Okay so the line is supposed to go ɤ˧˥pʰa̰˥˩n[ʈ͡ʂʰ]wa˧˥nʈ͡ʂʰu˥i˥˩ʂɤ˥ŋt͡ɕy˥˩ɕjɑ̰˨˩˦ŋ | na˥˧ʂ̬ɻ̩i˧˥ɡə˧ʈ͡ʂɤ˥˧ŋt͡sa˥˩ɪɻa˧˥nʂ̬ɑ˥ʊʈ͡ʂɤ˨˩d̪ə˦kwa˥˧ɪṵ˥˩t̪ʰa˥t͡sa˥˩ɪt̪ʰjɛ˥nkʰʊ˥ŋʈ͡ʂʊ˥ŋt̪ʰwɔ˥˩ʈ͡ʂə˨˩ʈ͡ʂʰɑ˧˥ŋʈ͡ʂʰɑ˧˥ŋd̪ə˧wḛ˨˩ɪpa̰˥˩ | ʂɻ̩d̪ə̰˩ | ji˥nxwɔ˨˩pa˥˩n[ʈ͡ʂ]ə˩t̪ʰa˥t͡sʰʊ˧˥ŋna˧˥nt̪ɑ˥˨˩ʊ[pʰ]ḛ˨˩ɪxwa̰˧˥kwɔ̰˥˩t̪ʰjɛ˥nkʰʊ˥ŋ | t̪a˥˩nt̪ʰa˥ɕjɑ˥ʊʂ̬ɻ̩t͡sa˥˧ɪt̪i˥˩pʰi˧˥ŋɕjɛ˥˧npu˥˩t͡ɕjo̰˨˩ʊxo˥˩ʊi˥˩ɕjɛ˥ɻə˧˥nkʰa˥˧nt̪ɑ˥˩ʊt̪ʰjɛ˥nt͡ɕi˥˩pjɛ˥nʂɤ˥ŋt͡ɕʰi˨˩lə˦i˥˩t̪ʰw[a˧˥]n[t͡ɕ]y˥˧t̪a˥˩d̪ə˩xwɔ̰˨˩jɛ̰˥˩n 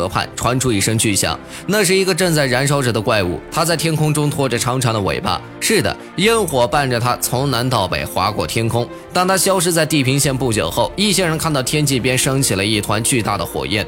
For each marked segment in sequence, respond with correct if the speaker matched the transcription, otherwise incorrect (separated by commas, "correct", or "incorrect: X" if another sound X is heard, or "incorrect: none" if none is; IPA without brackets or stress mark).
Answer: correct, correct, incorrect: p, correct, correct